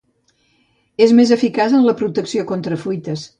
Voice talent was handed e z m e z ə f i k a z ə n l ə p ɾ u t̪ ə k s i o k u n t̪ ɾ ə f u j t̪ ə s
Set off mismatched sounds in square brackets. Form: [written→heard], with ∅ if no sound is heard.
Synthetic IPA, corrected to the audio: e z m e z ə f i k a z ə n l ə p ɾ u t̪ ə k s i o k [u→o] n t̪ ɾ ə f u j t̪ ə s

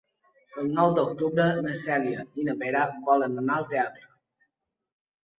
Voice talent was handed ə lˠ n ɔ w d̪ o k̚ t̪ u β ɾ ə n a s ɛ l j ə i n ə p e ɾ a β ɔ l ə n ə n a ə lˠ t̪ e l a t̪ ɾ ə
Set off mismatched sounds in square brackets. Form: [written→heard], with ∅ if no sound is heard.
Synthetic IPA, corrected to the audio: ə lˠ n ɔ w d̪ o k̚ t̪ u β ɾ ə n [a→ə] s ɛ l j ə i n ə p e ɾ a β ɔ l ə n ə n a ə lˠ t̪ e [l→∅] a t̪ ɾ ə

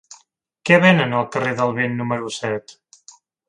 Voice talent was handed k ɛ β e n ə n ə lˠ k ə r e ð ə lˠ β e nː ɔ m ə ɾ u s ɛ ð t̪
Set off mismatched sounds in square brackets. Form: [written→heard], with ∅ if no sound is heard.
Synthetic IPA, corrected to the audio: k ɛ β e n ə n ə lˠ k ə r e ð ə lˠ β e nː [ɔ→u] m ə ɾ u s ɛ [ð→∅] t̪

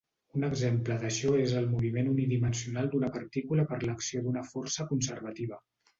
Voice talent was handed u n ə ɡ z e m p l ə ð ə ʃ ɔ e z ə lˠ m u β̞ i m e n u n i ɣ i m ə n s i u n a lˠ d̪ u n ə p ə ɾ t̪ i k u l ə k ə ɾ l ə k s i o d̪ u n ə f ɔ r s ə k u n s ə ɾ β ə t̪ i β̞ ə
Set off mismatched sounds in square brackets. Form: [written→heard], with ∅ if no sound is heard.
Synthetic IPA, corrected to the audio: u n ə ɡ z e m p l ə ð ə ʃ ɔ e z ə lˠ m u β̞ i m e n u n i [ɣ→ð] i m ə n s i u n a lˠ d̪ u n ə p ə ɾ t̪ i k u l ə [k→p] ə ɾ l ə k s i o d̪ u n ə f ɔ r s ə k u n s ə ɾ β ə t̪ i β̞ ə

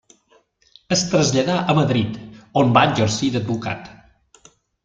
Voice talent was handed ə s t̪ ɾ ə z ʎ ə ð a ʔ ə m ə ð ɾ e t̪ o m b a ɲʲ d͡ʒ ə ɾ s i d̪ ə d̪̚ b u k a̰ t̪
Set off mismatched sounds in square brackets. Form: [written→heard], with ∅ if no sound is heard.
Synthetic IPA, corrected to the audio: ə s t̪ ɾ ə z ʎ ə ð a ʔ ə m ə ð ɾ [e→i] t̪ o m b a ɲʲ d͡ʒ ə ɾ s i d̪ ə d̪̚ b u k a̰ t̪

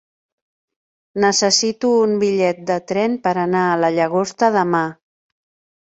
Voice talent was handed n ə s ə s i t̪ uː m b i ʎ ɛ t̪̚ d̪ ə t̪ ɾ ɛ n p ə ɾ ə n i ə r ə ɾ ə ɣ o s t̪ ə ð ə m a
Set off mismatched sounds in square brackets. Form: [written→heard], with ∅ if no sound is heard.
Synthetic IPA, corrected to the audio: n ə s ə s i t̪ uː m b i ʎ ɛ t̪̚ d̪ ə t̪ ɾ ɛ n p ə ɾ ə n [i→a] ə [r→l] ə [ɾ→ʎ] ə ɣ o s t̪ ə ð ə m a

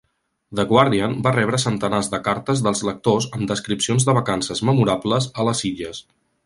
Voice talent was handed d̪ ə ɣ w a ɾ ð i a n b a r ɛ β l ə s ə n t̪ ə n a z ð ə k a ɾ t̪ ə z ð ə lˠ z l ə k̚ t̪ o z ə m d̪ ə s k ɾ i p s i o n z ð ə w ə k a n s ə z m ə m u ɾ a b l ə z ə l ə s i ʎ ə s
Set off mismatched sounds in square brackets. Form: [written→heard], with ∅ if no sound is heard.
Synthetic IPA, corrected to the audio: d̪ ə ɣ w a ɾ ð i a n b a r ɛ β [l→ɾ] ə s ə n t̪ ə n a z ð ə k a ɾ t̪ ə z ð ə lˠ z l ə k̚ t̪ o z ə m d̪ ə s k ɾ i p s i o n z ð ə [w→β] ə k a n s ə z m ə m u ɾ a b l ə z ə l ə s i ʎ ə s

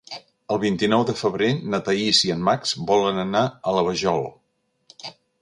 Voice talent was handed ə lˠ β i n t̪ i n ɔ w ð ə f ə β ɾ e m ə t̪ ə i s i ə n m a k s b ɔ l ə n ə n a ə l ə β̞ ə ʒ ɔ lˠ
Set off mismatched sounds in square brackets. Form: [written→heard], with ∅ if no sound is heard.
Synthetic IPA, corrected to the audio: ə lˠ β i n t̪ i n ɔ w ð ə f ə β ɾ e [m→n] ə t̪ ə i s i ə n m a k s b ɔ l ə n ə n a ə l ə β̞ ə ʒ ɔ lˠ

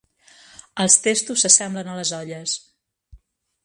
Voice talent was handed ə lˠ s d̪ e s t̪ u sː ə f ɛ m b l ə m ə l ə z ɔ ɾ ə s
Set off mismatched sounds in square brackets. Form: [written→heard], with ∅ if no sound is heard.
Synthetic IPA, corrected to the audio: ə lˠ s [d̪→t̪] e s t̪ u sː ə [f→s] ɛ m b l ə [m→n] ə l ə z ɔ [ɾ→ʎ] ə s

